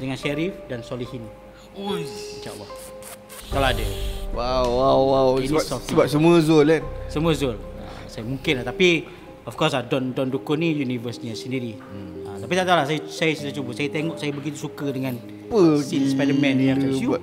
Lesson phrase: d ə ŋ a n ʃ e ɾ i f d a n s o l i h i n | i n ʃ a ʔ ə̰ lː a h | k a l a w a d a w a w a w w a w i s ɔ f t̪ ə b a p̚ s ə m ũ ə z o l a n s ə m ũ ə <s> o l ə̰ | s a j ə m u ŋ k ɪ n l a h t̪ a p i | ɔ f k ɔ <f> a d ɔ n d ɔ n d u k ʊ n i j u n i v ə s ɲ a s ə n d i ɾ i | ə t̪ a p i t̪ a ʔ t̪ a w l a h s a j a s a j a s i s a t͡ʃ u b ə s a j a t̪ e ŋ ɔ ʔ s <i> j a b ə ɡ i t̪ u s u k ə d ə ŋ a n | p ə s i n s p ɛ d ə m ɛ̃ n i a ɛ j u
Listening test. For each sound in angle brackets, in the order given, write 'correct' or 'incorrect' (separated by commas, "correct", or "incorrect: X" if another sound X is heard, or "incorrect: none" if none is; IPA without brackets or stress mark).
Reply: incorrect: z, incorrect: s, incorrect: a